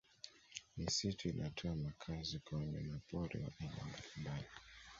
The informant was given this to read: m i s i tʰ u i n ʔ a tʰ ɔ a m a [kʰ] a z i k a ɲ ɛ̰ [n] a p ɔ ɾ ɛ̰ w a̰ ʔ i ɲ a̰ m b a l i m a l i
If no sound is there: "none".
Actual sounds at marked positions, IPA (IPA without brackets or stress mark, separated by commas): kʰ, n